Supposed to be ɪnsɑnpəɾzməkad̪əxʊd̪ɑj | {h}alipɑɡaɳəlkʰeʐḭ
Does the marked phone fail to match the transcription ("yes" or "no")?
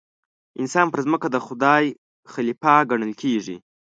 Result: yes